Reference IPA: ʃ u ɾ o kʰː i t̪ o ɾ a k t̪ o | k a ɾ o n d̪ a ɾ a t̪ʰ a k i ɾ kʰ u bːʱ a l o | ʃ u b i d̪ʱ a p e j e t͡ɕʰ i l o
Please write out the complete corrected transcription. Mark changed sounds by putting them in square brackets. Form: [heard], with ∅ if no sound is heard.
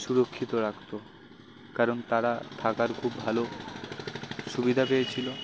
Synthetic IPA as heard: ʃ u ɾ o kʰː i t̪ o ɾ a k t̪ o | k a ɾ o n [t̪] a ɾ a t̪ʰ a k [a] ɾ kʰ u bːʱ a l o | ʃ u b i d̪ʱ a p e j e t͡ɕʰ i l o

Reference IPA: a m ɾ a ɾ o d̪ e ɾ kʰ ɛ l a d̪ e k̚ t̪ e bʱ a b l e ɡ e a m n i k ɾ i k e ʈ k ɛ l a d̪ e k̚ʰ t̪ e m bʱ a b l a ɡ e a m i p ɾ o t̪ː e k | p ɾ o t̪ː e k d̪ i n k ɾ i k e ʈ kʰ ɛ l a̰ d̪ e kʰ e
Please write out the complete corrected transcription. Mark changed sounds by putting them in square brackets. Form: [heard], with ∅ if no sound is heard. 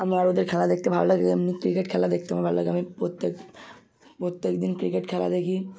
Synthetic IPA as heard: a m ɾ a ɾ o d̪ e ɾ kʰ ɛ l a d̪ e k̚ t̪ e bʱ a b l [a] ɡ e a m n i k ɾ i k e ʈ [kʰ] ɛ l a d̪ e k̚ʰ t̪ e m bʱ a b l a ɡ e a m i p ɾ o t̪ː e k | p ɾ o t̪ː e k d̪ i n k ɾ i k e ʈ kʰ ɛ l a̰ d̪ e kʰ [i]

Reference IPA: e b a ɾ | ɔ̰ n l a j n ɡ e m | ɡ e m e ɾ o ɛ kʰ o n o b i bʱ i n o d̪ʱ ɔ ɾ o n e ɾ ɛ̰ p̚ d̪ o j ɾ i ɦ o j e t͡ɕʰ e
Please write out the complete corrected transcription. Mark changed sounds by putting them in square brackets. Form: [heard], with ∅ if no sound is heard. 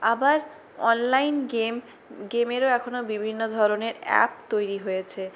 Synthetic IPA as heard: [a] b a ɾ | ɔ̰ n l a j n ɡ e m | ɡ e m e ɾ o ɛ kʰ o n o b i bʱ i [nː] o d̪ʱ ɔ ɾ o n e ɾ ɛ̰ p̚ [t̪] o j ɾ i ɦ o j e t͡ɕʰ e

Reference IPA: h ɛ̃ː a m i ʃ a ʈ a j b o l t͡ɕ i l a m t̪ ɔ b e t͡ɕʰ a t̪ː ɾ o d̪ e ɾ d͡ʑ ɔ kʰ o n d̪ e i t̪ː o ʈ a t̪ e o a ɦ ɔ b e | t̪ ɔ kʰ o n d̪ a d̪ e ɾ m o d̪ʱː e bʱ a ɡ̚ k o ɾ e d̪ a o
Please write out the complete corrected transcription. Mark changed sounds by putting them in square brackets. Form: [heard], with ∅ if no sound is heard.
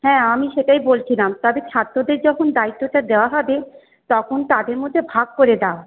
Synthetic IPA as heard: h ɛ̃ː a m i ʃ [e] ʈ a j b o l [t͡ɕʰ] i l a m t̪ ɔ b e t͡ɕʰ a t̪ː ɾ o d̪ e ɾ d͡ʑ ɔ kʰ o n d̪ [a] i t̪ː o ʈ a [d̪] e o a ɦ ɔ b e | t̪ ɔ kʰ o n [t̪] a d̪ e ɾ m o d̪ʱː e bʱ a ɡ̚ k o ɾ e d̪ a o

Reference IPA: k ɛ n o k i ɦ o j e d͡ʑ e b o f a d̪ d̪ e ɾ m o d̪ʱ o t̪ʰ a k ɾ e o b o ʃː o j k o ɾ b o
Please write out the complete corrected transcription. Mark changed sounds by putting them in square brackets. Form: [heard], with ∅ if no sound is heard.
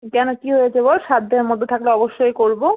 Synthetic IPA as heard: k ɛ n o k i ɦ o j e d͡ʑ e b o [ʃ] a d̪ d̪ e ɾ m o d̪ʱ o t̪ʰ a k [l] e [ɔ] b o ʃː o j k o ɾ b o

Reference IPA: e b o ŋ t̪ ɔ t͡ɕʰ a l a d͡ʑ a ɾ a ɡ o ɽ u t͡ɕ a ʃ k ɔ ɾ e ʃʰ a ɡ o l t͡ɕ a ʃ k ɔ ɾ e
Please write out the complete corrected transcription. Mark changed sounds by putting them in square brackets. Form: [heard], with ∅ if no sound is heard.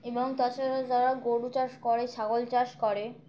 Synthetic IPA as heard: e b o ŋ t̪ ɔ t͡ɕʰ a [ɾ] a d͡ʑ a ɾ a ɡ o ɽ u t͡ɕ a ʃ k ɔ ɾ e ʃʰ a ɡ o l t͡ɕ a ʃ k ɔ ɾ e

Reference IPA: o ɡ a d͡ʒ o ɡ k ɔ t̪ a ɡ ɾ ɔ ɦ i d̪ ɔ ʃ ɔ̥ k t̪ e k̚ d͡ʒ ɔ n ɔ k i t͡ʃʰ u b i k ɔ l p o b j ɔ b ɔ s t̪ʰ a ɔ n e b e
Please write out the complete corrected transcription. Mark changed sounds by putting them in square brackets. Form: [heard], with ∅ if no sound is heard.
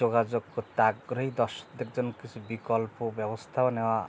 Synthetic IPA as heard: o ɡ a d͡ʒ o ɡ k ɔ t̪ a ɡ ɾ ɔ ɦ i d̪ ɔ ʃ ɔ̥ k [d̪] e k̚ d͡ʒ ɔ n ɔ k i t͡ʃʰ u b i k ɔ l p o b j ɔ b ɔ s t̪ʰ a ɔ n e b [a]

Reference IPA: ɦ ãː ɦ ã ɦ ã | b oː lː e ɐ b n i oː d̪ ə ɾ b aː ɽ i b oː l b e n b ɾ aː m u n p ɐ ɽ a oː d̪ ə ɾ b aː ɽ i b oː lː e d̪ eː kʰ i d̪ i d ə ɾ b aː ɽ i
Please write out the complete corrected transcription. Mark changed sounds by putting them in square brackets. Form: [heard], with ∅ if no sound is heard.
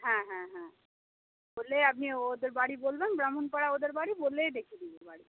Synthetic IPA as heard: ɦ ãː ɦ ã ɦ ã | b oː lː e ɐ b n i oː d̪ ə ɾ b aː ɽ i b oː l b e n b ɾ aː m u n p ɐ ɽ a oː d̪ ə ɾ b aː ɽ i b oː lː e d̪ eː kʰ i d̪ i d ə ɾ b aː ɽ i

